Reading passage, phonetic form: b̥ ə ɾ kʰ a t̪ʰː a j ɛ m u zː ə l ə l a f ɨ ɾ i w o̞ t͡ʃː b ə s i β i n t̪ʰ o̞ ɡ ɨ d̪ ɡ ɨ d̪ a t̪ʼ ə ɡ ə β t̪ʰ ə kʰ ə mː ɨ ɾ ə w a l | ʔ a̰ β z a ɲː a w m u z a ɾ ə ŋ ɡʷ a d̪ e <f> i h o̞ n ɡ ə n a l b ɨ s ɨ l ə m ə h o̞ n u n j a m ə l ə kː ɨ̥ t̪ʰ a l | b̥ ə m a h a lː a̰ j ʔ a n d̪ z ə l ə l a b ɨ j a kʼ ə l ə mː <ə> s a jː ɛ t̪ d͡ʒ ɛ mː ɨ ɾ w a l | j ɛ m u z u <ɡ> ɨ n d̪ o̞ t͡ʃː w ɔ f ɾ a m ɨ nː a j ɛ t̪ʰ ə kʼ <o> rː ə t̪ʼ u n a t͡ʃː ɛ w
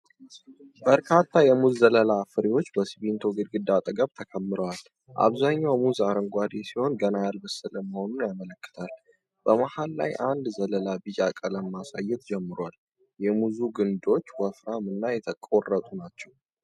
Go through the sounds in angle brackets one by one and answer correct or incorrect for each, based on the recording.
incorrect, incorrect, correct, correct

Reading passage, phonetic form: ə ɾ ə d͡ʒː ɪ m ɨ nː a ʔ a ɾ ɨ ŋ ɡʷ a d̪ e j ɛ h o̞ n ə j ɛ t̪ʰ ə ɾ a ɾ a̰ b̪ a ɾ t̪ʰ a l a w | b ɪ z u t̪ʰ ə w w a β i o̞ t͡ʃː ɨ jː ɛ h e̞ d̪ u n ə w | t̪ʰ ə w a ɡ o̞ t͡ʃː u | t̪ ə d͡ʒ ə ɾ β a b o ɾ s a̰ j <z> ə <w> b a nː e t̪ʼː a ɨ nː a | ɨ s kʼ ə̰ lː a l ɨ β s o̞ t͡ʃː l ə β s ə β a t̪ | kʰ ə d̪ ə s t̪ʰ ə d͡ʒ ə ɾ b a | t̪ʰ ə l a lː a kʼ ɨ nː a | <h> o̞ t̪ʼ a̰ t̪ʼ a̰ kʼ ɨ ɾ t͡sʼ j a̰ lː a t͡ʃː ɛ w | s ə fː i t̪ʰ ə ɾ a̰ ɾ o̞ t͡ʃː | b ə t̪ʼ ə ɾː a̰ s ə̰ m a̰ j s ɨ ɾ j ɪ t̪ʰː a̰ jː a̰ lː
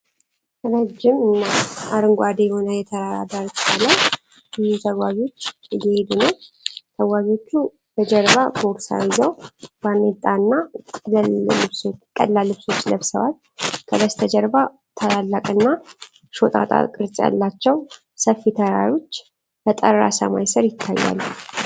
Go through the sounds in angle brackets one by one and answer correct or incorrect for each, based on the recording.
correct, correct, incorrect

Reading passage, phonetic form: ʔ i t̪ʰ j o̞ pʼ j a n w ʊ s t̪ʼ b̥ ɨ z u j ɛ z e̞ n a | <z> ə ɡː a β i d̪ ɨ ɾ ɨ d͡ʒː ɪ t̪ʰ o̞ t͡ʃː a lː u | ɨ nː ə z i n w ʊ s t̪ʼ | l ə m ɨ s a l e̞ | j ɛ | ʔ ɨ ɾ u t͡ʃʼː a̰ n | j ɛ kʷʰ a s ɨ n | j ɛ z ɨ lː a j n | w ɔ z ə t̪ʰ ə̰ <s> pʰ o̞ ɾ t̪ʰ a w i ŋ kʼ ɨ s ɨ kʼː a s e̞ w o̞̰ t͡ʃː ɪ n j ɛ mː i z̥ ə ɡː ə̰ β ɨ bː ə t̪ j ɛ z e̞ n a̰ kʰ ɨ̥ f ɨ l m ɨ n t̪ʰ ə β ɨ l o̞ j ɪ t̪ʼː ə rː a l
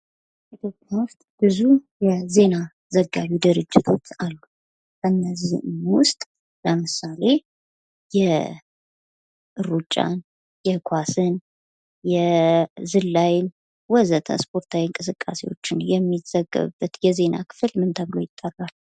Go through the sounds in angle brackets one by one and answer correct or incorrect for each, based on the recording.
correct, correct

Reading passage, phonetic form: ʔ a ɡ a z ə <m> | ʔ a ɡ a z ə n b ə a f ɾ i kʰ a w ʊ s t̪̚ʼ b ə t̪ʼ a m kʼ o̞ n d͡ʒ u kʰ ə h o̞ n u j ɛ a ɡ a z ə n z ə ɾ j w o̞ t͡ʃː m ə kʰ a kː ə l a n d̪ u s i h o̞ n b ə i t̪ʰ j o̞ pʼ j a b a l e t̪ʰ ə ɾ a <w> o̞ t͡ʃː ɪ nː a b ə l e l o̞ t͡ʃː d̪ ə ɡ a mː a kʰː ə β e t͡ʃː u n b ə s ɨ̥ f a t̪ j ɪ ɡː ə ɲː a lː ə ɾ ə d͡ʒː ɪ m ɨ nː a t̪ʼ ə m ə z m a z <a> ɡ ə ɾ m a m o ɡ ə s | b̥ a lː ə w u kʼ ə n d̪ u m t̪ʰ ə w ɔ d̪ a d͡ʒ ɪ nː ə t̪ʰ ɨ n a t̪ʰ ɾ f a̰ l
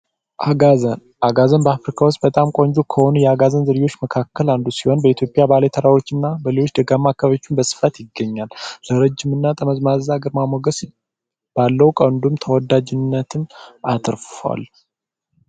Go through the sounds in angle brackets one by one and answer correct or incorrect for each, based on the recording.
incorrect, correct, correct

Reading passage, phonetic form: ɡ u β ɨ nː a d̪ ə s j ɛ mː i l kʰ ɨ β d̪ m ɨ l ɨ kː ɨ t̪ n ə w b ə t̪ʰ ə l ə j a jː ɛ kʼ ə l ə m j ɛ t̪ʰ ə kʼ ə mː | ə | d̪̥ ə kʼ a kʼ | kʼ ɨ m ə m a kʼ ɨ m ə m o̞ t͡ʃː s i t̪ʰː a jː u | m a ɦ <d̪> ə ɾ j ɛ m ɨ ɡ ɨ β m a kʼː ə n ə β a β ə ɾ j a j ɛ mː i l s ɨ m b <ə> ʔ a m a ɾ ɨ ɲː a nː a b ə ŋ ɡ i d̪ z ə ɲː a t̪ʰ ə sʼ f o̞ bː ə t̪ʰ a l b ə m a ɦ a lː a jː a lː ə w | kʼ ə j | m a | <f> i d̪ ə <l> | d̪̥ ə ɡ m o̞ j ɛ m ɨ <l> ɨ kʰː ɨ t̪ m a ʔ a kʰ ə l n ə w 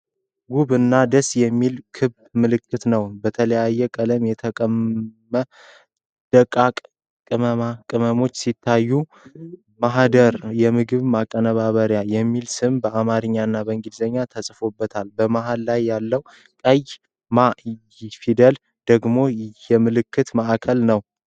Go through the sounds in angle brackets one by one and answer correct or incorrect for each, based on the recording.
correct, correct, correct, correct, correct

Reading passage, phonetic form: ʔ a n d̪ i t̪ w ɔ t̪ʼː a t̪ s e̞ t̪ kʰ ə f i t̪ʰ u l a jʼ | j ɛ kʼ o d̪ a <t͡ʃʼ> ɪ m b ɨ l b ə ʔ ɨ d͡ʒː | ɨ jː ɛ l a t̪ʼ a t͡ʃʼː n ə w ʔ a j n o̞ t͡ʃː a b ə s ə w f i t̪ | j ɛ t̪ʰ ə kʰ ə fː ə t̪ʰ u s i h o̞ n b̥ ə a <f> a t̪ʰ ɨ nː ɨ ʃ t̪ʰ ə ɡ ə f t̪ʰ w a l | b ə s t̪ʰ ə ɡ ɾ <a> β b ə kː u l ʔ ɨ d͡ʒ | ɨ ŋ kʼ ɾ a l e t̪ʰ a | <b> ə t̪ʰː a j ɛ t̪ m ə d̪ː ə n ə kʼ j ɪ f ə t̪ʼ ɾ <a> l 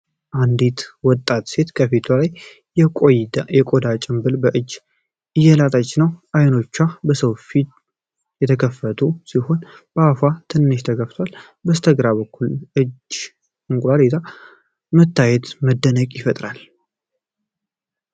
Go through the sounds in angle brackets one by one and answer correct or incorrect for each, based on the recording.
correct, correct, correct, incorrect, correct

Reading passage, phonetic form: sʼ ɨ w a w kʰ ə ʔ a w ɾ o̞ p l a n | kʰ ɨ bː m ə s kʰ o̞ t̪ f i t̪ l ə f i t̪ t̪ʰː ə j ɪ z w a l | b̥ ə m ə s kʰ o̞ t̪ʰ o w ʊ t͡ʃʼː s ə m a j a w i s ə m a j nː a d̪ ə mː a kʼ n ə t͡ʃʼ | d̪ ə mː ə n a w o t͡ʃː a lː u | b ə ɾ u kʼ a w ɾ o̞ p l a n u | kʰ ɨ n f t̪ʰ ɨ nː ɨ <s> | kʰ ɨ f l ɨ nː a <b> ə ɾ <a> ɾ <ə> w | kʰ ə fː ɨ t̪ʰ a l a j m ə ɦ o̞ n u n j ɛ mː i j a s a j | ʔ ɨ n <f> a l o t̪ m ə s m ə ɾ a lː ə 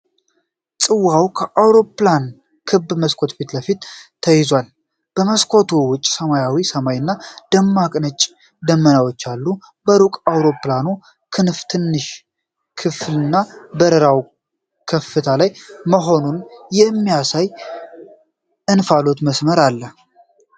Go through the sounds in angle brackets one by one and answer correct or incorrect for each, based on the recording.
incorrect, correct, incorrect, incorrect, correct

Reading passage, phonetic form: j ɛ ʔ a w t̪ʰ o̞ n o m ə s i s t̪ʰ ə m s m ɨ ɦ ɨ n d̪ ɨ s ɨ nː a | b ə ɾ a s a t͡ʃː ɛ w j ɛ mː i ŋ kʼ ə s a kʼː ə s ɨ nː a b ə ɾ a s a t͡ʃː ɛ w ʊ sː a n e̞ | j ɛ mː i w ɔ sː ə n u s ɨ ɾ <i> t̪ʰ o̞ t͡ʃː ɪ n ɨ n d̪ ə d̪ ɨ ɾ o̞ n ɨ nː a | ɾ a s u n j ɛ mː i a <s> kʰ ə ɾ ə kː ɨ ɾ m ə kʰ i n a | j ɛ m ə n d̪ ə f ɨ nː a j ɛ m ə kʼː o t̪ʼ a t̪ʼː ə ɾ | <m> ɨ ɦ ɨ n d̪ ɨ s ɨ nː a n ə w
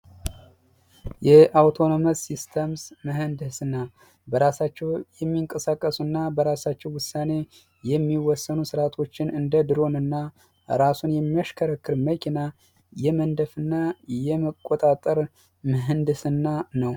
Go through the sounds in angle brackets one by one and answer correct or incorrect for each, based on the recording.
incorrect, incorrect, correct

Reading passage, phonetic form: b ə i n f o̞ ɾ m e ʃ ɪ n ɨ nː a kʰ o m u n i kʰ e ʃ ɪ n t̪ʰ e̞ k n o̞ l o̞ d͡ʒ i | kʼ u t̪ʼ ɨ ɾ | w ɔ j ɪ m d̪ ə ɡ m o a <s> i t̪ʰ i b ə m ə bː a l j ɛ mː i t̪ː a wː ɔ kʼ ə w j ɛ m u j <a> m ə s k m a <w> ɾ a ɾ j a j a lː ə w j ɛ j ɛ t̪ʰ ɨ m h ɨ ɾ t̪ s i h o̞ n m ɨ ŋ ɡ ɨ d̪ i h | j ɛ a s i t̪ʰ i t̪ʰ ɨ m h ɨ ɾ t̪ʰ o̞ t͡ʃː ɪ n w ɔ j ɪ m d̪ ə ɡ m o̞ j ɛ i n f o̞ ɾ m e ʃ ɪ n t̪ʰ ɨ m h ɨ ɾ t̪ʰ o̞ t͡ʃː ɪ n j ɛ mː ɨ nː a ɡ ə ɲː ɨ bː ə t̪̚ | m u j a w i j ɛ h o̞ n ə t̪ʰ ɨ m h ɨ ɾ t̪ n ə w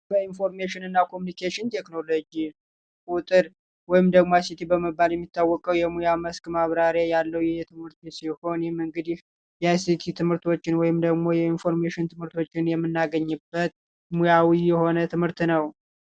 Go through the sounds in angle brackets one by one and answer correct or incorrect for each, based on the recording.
correct, correct, incorrect

